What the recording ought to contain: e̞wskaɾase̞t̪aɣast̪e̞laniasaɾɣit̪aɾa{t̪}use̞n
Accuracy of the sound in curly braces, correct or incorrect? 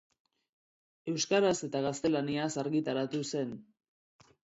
correct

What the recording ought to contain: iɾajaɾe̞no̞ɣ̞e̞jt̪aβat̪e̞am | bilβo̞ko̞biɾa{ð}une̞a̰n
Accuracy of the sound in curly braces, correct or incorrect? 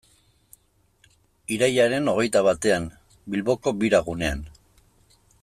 incorrect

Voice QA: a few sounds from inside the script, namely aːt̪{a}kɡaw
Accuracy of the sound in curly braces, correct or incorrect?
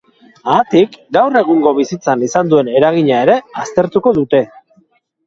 incorrect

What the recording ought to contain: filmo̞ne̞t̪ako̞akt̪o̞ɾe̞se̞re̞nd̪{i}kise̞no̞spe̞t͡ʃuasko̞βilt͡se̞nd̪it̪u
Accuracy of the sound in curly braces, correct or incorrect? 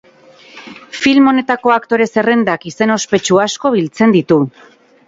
incorrect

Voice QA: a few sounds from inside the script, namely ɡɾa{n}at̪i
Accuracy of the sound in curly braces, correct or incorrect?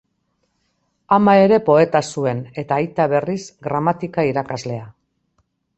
incorrect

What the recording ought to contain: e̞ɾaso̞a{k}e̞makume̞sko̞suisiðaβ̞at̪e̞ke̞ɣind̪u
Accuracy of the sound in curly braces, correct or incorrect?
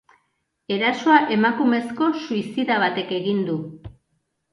incorrect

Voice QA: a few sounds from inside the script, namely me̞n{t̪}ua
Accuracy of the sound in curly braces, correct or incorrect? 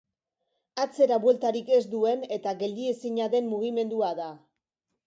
incorrect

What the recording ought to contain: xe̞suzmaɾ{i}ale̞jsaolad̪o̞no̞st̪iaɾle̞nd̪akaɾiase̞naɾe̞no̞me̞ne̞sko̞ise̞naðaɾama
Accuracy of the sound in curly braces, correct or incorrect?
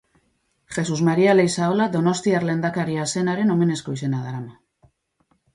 correct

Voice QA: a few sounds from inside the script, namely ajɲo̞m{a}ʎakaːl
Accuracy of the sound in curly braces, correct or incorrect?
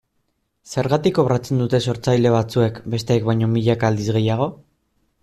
incorrect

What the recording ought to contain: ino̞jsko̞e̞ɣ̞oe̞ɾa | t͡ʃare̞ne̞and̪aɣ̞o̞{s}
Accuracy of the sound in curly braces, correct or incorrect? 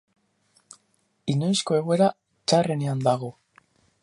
incorrect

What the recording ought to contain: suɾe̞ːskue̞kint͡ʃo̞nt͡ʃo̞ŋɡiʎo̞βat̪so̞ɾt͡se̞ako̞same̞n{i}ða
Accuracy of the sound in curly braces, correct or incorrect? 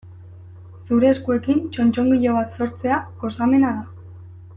incorrect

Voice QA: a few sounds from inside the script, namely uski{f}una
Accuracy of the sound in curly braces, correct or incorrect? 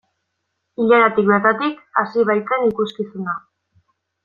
incorrect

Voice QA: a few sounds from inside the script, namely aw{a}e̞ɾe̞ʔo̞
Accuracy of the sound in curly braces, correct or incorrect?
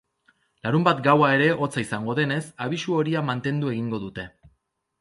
correct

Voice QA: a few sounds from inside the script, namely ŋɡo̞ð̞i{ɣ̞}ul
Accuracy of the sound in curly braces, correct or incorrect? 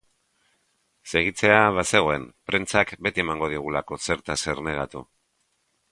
correct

